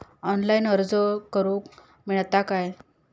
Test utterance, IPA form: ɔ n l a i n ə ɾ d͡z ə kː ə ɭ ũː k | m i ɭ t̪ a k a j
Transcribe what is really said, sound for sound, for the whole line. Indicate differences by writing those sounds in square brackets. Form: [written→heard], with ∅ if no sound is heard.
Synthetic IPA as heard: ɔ n l a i n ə ɾ d͡z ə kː ə [ɭ→ɾ] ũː k | m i ɭ t̪ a k a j

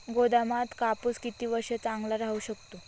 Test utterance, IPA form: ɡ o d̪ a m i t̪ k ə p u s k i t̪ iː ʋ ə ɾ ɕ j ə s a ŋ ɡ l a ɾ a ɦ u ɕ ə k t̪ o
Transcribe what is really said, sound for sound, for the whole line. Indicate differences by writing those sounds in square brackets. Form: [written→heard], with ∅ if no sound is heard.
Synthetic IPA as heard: ɡ o d̪ a m [i→a] t̪ k [ə→a] p u s k i t̪ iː ʋ ə ɾ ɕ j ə [s→t͡s] a ŋ ɡ l a ɾ a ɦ u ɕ ə k t̪ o

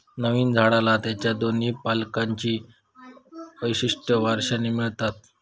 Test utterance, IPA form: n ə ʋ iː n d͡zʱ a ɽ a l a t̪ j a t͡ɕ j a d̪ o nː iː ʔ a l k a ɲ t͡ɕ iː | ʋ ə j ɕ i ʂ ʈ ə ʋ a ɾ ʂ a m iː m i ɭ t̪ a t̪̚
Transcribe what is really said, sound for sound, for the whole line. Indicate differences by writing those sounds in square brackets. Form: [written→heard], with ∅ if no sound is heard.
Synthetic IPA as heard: n ə ʋ iː n d͡zʱ a ɽ a l a t̪ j a t͡ɕ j a d̪ o [nː→n] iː [ʔ→p] a l k a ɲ t͡ɕ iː | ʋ ə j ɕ i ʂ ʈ ə ʋ a ɾ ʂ a [m→n] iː m i ɭ t̪ a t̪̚

